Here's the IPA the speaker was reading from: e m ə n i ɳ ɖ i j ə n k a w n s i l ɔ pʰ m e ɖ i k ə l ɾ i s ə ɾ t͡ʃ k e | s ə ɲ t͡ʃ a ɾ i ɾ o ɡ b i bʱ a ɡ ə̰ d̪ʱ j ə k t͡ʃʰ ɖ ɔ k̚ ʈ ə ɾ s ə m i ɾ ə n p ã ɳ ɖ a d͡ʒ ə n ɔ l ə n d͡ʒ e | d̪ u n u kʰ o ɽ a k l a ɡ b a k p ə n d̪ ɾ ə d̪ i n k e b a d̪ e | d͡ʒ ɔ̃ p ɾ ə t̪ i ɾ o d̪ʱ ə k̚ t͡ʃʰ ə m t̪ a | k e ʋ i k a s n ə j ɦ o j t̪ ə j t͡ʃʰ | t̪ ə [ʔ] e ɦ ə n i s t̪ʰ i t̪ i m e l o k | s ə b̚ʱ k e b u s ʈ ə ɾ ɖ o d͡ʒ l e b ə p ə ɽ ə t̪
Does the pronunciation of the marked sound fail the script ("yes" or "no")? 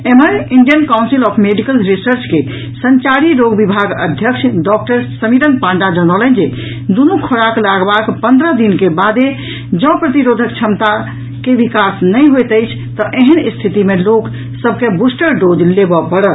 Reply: no